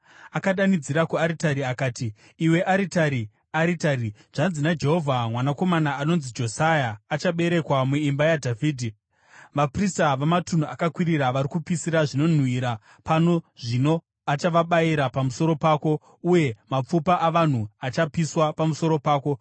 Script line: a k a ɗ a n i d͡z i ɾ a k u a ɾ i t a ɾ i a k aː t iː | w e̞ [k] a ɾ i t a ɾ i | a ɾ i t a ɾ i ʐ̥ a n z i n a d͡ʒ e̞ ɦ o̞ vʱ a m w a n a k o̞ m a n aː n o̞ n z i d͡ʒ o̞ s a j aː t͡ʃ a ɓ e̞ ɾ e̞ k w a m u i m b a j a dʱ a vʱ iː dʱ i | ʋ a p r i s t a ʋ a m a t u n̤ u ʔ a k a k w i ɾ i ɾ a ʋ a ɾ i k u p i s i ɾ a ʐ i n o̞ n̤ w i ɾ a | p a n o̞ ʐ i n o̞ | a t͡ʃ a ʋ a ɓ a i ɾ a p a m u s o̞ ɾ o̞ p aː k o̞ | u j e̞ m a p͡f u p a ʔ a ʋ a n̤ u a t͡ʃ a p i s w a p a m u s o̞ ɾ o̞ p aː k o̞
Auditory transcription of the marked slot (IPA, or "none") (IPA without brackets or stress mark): ʔ